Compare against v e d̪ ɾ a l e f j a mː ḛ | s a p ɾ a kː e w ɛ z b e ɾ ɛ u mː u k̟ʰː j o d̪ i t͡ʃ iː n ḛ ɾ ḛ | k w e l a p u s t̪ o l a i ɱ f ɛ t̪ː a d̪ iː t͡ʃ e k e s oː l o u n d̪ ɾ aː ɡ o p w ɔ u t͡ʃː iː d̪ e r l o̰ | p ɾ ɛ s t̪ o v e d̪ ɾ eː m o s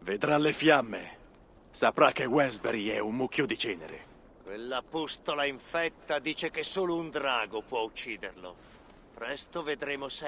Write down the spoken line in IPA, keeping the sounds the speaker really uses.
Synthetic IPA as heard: v e d̪ ɾ a l e f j a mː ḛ | s a p ɾ a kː e w ɛ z b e ɾ ɛ u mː u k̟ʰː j o d̪ i t͡ʃ ɛː n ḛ ɾ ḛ | k w e lː a p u s t̪ o l a i ɱ f ɛ t̪ː a d̪ iː t͡ʃ e k e s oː l o u n d̪ ɾ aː ɡ o p w ɔ u t͡ʃː iː d̪ e r l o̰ | p ɾ ɛ s t̪ o v e d̪ ɾ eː m o s

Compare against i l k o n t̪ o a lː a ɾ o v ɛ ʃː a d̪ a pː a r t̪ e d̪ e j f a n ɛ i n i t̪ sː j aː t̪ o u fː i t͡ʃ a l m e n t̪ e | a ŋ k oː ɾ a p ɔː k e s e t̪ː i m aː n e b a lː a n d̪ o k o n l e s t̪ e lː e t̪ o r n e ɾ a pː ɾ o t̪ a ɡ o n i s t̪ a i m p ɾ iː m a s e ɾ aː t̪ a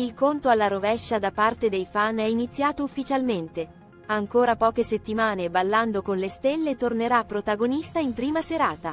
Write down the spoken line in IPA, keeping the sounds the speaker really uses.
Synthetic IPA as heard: i l k o n t̪ o a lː a ɾ o v ɛ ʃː a d̪ a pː a r t̪ e d̪ e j f a n ɛ i n i t̪ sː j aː t̪ o u fː i t͡ʃ a l m e n t̪ e | a ŋ k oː ɾ a p ɔː k e s e t̪ː i m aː n e b a lː a n d̪ o k o n l e s t̪ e lː e t̪ o r n e ɾ a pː ɾ o t̪ a ɡ o n i s t̪ a i m p ɾ iː m a s e ɾ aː t̪ a

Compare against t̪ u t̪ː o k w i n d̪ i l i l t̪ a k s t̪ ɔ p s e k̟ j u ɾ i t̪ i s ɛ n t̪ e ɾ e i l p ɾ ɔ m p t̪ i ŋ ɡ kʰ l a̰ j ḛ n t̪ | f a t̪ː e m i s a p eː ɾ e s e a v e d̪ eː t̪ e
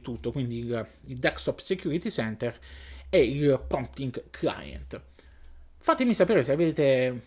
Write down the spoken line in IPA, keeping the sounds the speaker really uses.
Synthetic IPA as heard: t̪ u t̪ː o k w i n d̪ i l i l d̪ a k s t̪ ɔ p s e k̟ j u ɾ i t̪ i s ɛ n t̪ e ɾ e i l p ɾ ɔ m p t̪ i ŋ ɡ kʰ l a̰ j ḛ n t̪ | f a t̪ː e m i s a p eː ɾ e s e a v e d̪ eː t̪ e

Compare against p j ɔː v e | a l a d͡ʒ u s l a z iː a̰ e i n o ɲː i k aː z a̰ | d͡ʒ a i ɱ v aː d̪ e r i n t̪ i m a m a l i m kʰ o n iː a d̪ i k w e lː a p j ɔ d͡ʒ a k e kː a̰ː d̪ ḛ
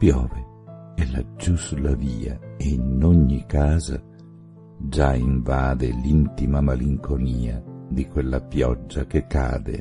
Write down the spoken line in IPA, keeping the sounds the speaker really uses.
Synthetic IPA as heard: p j ɔː v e | ɛ l a d͡ʒ u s l a v iː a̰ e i n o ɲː i k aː z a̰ | d͡ʒ a i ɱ v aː d̪ e l i n t̪ i m a m a l i ŋ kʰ o n iː a d̪ i k w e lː a p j ɔ d͡ʒː a k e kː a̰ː d̪ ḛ

